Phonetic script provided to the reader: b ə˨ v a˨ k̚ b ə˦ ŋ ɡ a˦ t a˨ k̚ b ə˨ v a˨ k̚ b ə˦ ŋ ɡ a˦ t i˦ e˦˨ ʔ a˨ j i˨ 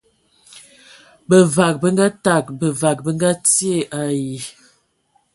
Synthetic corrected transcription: b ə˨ v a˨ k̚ b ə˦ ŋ ɡ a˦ t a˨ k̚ b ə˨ v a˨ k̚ b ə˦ ŋ ɡ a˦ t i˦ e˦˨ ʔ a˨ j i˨